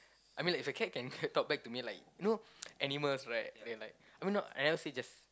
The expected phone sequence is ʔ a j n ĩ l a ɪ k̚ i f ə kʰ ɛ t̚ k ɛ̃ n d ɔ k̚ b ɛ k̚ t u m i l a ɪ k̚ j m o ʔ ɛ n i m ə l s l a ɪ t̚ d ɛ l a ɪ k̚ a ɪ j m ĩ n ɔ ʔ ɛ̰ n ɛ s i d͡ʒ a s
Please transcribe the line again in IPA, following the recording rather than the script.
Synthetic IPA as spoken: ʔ a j m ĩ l a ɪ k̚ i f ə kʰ ɛ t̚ k ɛ̃ n t ɔ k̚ b ɛ k̚ t u m i l a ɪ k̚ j n o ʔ ɛ n i m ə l s ɹ a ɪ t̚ d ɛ l a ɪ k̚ a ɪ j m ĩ n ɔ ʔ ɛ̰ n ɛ s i d͡ʒ a s